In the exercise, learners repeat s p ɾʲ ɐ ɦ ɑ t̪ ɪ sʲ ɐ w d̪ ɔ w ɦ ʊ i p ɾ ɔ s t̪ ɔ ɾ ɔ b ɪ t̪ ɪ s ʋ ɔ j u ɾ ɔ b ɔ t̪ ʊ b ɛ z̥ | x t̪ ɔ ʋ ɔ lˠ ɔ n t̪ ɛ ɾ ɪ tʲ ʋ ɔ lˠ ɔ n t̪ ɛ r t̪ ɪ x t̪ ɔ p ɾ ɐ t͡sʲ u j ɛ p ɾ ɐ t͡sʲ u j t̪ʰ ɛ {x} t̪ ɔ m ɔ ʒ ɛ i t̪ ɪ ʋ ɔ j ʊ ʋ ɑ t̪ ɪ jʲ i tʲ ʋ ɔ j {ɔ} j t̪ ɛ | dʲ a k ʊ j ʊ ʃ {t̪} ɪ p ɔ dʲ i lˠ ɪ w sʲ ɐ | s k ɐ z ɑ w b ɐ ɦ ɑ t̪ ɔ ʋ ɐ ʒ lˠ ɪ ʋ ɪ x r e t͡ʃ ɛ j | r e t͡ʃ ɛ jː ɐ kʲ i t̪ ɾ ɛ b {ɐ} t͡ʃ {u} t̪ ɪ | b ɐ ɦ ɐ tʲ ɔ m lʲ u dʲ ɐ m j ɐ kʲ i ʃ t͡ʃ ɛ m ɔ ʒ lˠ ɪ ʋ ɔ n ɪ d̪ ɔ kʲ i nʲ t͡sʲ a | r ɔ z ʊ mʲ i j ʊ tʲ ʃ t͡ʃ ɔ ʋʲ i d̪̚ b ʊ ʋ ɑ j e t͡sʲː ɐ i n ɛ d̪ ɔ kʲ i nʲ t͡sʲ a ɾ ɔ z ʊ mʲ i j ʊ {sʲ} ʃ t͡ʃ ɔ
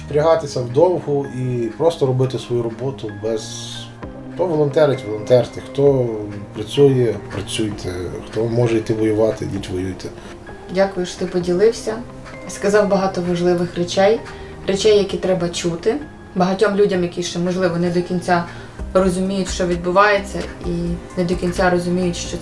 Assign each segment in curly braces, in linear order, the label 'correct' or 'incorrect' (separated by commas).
correct, incorrect, correct, correct, correct, incorrect